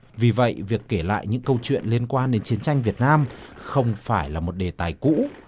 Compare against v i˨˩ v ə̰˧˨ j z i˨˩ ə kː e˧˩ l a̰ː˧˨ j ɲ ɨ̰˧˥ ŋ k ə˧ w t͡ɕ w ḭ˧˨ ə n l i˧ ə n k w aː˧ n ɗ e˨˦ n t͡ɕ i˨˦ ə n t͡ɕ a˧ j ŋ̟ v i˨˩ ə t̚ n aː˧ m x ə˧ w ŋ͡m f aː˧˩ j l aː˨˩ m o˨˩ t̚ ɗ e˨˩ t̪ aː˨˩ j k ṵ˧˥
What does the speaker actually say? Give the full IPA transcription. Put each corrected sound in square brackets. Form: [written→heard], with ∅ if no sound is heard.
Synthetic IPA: v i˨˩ v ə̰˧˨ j [z→v] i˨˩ ə kː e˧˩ l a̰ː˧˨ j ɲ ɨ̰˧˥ ŋ k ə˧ w t͡ɕ w ḭ˧˨ ə n l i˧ ə n k w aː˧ n ɗ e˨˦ n t͡ɕ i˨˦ ə n t͡ɕ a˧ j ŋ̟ v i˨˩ ə t̚ n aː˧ m x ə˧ w ŋ͡m f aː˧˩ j l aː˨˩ m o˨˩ t̚ ɗ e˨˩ t̪ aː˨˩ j k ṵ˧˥